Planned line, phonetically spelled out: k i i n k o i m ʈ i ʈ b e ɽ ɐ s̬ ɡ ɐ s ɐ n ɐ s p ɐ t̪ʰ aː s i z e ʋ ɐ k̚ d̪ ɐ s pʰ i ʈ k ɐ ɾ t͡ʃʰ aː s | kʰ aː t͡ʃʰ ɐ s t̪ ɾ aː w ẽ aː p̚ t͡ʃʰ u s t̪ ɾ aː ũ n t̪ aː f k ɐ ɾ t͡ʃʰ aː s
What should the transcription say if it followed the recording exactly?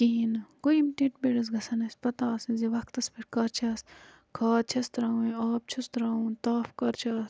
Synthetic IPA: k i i n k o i m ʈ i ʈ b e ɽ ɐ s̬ ɡ ɐ s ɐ n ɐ s p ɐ t̪ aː s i z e ʋ ɐ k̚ t̪ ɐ s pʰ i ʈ k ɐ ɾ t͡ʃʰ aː s | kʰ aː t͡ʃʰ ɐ s t̪ ɾ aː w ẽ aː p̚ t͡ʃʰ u s t̪ ɾ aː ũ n t̪ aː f k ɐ ɾ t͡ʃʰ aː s

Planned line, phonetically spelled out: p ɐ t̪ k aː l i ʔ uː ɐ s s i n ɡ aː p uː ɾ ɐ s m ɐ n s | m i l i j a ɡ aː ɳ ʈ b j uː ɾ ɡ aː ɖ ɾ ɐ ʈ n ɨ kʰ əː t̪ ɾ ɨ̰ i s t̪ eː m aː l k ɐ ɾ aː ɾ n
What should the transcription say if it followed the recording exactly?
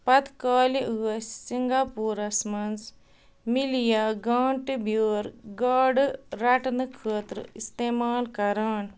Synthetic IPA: p ɐ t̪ k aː l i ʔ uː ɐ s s i ŋ ɡ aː p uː ɾ ɐ s m ɐ n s | m i l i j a ɡ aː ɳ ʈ b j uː ɾ ɡ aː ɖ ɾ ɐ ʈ n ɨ kʰ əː t̪ ɾ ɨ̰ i s t̪ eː m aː l k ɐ ɾ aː n

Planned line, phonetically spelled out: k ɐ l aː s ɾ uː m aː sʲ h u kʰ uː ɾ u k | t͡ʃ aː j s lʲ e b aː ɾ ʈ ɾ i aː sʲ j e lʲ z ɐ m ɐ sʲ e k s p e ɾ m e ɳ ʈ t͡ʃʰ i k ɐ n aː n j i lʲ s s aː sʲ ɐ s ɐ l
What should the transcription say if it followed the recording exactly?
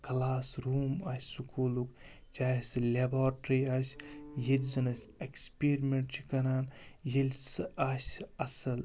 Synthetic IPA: k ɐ l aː s ɾ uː m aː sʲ s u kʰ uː l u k | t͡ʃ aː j s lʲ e b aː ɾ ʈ ɾ i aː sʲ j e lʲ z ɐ n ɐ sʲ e k s p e ɾ m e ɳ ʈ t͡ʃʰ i k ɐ n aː n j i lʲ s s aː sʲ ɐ s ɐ l

